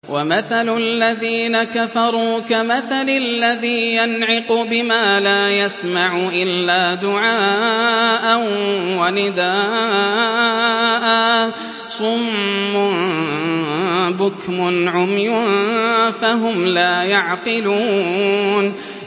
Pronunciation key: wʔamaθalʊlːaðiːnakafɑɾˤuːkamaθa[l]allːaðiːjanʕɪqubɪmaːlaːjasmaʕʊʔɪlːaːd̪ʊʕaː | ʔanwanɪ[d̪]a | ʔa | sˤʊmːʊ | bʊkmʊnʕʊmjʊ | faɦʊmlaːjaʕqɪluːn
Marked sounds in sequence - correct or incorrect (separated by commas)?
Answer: correct, correct